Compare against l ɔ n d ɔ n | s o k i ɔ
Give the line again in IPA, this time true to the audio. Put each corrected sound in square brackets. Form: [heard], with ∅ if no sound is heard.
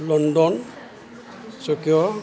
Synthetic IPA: l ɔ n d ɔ n | s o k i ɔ